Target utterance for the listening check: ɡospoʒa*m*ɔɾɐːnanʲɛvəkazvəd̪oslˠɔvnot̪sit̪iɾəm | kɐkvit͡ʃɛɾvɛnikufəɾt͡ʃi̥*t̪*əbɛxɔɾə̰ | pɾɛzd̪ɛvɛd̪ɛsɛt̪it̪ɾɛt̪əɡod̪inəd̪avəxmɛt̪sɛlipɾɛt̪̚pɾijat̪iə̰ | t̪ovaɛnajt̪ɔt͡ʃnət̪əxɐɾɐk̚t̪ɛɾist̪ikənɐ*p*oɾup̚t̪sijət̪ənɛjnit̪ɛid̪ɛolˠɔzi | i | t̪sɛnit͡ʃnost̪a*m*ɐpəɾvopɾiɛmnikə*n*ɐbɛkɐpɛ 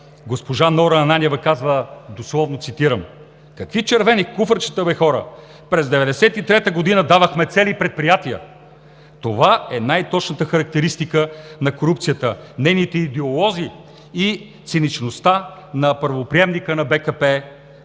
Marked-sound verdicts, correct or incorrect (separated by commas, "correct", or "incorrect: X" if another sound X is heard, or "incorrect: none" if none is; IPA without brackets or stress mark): incorrect: n, correct, incorrect: k, incorrect: n, correct